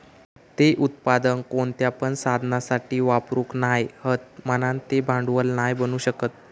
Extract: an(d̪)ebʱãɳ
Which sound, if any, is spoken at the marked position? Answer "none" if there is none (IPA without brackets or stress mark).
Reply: t̪